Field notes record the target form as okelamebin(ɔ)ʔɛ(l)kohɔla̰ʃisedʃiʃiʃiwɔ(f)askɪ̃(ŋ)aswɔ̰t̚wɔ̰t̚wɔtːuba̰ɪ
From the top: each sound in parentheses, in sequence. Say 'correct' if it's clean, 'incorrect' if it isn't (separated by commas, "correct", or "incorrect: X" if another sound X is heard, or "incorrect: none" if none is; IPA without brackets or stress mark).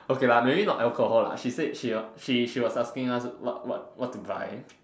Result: correct, correct, incorrect: s, correct